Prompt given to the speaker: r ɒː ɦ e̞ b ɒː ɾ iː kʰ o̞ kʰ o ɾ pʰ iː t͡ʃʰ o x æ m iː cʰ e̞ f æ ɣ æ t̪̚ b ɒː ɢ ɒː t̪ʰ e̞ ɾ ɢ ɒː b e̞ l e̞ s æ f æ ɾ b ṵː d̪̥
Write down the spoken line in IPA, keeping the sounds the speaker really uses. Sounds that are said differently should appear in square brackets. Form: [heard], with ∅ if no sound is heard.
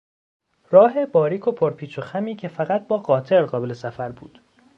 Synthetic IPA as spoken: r ɒː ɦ e̞ b ɒː ɾ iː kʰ o̞ [pʰ] o ɾ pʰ iː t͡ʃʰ o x æ m iː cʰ e̞ f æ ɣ æ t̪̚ b ɒː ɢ ɒː t̪ʰ e̞ ɾ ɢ ɒː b e̞ l e̞ s æ f æ ɾ b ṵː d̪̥